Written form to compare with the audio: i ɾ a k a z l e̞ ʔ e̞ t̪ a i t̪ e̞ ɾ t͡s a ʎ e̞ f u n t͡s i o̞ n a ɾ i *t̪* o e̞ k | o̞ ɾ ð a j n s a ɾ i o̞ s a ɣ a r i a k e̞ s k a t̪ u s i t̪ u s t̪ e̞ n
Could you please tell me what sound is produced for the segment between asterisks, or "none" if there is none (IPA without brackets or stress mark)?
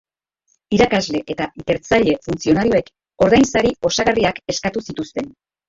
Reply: none